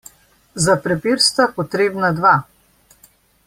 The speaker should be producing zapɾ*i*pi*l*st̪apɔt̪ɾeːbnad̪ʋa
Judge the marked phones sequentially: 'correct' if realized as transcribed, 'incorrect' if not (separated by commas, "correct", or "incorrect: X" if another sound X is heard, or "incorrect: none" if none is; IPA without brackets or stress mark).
incorrect: ɛ, incorrect: ɾ